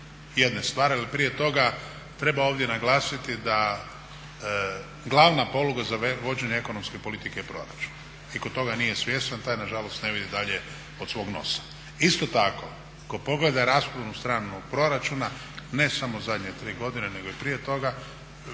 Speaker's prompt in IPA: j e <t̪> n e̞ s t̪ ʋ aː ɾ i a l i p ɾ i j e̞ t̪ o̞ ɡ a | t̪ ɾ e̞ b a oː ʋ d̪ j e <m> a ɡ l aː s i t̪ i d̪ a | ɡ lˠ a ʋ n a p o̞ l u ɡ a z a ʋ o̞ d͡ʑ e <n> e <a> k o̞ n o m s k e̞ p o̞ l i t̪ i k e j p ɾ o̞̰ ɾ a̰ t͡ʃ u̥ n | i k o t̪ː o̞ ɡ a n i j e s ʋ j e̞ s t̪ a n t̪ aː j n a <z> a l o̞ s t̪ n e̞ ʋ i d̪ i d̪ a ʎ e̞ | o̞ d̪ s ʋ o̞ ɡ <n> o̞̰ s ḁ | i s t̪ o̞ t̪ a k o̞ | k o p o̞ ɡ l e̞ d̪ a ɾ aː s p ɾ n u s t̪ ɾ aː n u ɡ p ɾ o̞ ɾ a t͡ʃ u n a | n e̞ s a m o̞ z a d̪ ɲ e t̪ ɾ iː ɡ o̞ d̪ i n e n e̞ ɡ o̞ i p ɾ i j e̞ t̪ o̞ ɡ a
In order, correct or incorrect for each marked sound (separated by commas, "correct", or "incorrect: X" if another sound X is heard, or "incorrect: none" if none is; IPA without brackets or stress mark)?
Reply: incorrect: d̪, incorrect: n, incorrect: ɲ, incorrect: e, incorrect: ʒ, correct